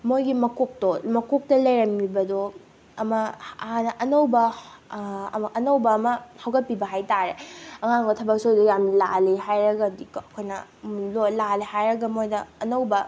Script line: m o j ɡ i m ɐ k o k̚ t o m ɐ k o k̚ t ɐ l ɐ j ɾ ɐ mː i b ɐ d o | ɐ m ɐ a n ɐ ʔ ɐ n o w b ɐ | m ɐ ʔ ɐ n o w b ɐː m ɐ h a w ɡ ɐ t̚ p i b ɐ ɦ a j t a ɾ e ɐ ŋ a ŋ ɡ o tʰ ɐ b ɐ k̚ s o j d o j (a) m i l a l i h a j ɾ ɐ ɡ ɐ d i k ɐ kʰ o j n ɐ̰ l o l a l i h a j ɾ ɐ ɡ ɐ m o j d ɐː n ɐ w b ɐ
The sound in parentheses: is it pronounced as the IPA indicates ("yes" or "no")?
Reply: yes